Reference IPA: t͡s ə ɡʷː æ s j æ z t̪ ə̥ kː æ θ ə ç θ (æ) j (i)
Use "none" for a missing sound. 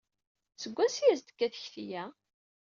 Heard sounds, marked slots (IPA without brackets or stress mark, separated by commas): i, æ